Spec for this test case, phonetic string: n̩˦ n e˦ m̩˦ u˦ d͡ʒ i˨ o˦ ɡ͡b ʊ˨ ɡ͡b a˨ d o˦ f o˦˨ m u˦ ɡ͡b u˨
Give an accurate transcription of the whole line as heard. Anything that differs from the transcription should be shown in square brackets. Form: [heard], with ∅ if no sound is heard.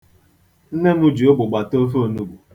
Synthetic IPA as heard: n̩˦ n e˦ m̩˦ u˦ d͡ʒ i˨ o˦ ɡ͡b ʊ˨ ɡ͡b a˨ [t] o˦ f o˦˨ [n] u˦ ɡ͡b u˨